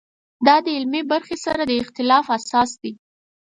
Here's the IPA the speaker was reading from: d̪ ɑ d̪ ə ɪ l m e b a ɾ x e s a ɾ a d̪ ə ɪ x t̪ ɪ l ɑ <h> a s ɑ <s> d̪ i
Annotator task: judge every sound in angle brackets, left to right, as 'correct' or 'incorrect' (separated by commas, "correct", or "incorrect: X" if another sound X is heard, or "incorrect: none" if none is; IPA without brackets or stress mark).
incorrect: f, correct